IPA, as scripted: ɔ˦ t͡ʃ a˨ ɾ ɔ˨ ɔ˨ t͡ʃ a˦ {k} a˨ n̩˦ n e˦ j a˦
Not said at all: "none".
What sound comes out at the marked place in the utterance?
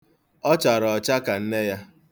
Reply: k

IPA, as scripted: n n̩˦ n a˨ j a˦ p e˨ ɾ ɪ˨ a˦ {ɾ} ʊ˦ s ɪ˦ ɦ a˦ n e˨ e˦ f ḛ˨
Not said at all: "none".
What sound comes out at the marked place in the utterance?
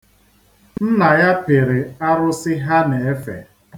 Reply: ɾ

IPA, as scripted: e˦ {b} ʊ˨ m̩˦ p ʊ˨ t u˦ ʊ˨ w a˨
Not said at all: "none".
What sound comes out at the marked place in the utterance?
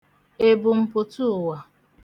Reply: b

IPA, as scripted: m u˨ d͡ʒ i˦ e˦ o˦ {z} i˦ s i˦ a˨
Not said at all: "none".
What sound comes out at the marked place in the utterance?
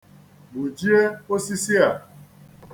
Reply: s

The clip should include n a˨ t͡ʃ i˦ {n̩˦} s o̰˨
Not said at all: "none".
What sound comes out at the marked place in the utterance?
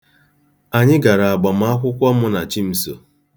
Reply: m̩˦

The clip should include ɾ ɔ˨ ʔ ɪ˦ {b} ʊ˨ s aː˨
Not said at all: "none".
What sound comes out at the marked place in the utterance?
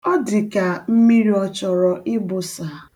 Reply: b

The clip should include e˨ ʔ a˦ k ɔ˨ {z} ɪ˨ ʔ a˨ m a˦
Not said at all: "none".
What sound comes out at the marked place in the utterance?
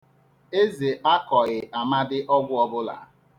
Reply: ɣ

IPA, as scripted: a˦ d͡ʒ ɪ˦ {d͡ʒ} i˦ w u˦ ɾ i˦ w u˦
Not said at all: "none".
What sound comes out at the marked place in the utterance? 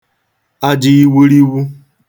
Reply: none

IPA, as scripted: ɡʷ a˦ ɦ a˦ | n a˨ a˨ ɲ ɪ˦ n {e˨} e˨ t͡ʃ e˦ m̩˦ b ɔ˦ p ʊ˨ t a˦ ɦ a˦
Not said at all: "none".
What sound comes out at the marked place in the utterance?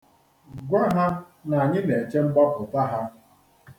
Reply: e˨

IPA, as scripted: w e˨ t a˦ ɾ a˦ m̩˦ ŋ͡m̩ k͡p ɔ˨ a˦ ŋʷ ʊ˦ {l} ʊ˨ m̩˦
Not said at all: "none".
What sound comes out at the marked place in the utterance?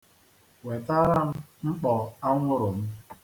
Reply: ɾ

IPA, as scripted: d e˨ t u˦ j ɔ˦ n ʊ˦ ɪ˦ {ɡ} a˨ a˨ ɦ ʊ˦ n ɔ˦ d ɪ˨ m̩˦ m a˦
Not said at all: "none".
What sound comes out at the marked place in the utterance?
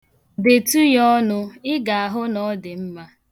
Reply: ɡ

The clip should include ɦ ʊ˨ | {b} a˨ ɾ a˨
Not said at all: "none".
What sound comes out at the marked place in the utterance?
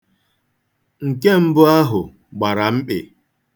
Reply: ɡ͡b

